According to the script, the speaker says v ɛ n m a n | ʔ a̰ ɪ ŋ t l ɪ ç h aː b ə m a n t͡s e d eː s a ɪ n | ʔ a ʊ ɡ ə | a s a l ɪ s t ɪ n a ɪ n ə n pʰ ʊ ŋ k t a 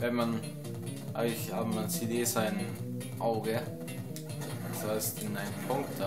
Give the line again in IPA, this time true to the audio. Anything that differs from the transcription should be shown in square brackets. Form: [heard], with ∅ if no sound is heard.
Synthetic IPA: v ɛ n m a n | ʔ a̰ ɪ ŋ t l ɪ ç h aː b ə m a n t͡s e d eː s a ɪ n | ʔ a ʊ ɡ ə | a s a [∅] ɪ s t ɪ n a ɪ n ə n pʰ ʊ ŋ k t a